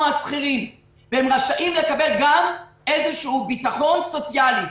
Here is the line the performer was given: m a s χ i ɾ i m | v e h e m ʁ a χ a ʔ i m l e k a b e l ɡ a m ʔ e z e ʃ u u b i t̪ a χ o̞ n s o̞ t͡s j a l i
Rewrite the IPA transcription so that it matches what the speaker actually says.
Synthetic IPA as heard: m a s χ i l i m | v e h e m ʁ a ʃ a ʔ i m l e k a b e l ɡ a m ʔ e z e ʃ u u b i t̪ a χ o̞ n s o̞ t͡s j a l i